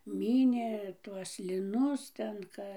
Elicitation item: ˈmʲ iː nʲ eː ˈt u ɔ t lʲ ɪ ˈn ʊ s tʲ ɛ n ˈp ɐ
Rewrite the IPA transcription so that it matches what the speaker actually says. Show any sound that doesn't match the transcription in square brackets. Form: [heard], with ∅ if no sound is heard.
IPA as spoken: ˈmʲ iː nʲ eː ˈt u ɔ [s] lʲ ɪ ˈn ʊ s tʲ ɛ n [ˈk] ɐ